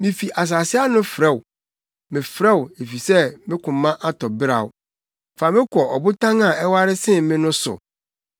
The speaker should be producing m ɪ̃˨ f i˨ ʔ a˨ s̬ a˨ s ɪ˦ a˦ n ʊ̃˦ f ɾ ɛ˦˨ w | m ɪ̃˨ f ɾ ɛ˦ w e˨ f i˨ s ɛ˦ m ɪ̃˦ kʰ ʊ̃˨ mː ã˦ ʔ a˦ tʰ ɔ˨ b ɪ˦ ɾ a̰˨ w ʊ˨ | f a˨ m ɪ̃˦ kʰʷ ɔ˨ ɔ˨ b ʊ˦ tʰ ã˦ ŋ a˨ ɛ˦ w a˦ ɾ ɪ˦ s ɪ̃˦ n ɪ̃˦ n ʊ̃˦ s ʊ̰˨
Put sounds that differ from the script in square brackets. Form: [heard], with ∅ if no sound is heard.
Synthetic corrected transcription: m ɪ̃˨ f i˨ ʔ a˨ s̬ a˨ s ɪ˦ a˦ n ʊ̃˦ f ɾ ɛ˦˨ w | m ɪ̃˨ f ɾ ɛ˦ w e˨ f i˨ s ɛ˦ m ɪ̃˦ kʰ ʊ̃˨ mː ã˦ ʔ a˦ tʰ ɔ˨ b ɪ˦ ɾ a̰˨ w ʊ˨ | f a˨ m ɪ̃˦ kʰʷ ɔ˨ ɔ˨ b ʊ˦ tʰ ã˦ ŋ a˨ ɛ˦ w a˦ ɾ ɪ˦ s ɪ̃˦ [m] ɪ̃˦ n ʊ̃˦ s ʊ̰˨

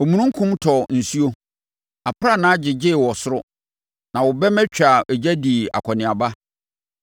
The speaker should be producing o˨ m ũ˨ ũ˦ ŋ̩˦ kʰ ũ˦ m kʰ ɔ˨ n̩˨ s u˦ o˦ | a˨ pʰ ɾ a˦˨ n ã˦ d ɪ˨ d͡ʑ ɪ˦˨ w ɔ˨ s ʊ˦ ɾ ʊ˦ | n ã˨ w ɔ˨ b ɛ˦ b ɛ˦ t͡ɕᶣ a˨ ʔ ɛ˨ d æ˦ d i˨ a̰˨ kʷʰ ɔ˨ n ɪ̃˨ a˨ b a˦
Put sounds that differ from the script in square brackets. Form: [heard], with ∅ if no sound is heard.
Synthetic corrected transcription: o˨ m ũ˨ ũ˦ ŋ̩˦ kʰ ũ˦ m [tʰ] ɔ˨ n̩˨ s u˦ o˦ | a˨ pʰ ɾ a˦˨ n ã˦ [d͡ʑ] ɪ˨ d͡ʑ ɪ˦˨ w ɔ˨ s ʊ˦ ɾ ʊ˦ | n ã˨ w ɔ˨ b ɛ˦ [m] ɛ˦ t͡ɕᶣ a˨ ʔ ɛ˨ [d͡ʑ] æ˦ d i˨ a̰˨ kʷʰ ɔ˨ n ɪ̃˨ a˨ b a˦

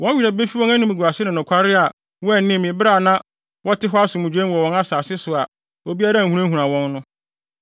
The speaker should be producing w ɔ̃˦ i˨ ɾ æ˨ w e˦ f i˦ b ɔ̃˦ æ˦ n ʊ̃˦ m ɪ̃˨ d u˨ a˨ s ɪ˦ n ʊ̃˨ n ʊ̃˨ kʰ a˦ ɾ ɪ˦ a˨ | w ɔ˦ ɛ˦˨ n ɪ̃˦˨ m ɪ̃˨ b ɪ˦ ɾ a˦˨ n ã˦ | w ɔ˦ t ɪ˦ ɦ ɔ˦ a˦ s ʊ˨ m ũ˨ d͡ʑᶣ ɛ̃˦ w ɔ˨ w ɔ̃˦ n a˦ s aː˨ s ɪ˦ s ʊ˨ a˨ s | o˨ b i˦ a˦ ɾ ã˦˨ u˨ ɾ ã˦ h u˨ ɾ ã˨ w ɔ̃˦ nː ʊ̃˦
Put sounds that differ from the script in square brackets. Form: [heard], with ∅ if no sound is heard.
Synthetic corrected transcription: w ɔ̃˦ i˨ ɾ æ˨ [b] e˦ f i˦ [w] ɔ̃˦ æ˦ n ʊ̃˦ m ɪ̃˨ [ɡ] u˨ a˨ s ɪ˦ n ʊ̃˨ n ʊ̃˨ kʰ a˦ ɾ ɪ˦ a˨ | w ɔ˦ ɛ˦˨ n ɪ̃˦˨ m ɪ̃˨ b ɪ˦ ɾ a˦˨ n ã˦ | w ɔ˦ t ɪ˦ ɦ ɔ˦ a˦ s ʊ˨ m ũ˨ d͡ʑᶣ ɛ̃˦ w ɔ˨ w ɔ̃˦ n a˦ s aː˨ s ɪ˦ s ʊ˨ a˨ [∅] | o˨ b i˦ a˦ ɾ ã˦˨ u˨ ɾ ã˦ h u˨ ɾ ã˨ w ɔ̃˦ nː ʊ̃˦

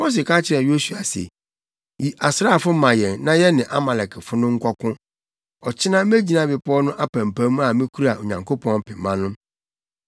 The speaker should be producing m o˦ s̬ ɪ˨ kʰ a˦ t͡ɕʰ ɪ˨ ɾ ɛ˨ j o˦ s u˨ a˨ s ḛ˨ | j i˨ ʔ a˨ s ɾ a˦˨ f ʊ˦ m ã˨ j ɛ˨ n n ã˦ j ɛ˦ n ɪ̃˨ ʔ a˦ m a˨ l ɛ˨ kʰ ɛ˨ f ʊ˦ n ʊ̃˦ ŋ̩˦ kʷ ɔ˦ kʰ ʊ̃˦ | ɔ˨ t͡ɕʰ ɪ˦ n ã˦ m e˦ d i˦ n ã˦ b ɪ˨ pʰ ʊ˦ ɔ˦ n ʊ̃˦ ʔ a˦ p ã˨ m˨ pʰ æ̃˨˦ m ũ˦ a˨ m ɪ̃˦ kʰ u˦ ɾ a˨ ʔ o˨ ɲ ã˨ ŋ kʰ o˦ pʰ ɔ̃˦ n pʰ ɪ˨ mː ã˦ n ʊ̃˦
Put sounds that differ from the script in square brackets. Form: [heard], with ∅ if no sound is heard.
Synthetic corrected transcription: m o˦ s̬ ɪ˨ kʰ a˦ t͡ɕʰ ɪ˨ ɾ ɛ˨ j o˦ s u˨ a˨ s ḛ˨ | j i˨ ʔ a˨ s ɾ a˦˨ f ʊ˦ m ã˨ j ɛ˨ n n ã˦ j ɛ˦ n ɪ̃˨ ʔ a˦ m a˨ l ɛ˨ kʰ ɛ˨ f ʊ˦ n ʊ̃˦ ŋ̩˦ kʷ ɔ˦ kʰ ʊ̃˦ | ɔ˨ t͡ɕʰ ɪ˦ n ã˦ m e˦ [d͡ʑ] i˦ n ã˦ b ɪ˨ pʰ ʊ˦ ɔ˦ n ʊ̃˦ ʔ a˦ p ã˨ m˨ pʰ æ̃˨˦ m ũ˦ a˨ m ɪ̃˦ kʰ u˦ ɾ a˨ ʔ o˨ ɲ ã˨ ŋ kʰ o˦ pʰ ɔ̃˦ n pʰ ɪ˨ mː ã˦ n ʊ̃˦

